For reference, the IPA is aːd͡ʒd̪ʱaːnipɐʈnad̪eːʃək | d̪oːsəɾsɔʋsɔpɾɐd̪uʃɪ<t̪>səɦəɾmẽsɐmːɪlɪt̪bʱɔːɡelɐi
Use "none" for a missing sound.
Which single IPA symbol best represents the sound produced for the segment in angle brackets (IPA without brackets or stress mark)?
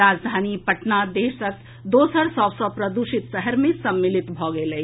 t̪